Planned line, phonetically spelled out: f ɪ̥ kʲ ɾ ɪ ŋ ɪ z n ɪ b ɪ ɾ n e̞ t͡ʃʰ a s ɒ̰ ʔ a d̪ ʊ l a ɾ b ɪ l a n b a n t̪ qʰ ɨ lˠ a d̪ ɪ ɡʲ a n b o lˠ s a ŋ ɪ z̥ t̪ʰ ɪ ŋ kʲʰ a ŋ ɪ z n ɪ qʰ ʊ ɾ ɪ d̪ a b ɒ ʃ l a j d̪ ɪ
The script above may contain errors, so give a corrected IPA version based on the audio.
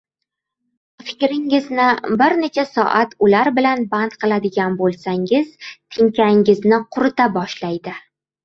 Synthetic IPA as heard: f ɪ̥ kʲ ɾ ɪ ŋ ɪ z n ɪ b ɪ ɾ n e̞ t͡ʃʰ a s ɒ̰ ʔ a t̪ ʊ l a ɾ b ɪ l a n b a n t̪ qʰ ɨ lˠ a d̪ ɪ ɡʲ a n b o lˠ s a ŋ ɪ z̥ t̪ʰ ɪ ŋ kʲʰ a ŋ ɪ z n ɪ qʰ ʊ ɾ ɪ t̪ a b ɒ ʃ l a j d̪ ɪ